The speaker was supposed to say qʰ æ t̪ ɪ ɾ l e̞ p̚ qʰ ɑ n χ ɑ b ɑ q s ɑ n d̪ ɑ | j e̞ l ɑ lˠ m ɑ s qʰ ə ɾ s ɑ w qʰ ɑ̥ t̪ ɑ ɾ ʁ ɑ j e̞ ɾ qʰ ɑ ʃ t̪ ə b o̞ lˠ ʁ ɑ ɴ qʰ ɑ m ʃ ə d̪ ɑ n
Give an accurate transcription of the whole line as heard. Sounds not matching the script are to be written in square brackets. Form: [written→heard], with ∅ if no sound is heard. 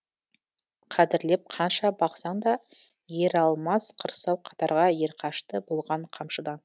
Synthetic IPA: qʰ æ [t̪→d̪] ɪ ɾ l e̞ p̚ qʰ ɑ n [χ→ʃ] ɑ b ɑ q s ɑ n d̪ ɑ | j e̞ [l→ɾ] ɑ lˠ m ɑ s qʰ ə ɾ s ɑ w qʰ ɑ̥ t̪ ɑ ɾ ʁ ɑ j e̞ ɾ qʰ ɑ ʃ t̪ ə b o̞ lˠ ʁ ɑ ɴ qʰ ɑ m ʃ ə d̪ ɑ n